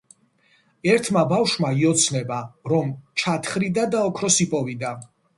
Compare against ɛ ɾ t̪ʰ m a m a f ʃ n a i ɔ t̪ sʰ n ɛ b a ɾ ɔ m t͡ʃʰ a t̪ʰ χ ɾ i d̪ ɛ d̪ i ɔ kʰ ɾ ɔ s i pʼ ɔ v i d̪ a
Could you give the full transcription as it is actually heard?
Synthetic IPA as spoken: ɛ ɾ t̪ʰ m a b a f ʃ m a i ɔ t̪ sʰ n ɛ b a ɾ ɔ m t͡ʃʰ a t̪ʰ χ ɾ i d̪ a d̪ a ɔ kʰ ɾ ɔ s i pʼ ɔ v i d̪ a